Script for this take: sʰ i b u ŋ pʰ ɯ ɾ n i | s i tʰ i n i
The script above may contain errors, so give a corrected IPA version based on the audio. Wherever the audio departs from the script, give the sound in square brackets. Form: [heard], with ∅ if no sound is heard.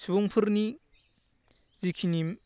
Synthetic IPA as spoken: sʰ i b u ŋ pʰ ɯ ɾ n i | [z] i [kʰ] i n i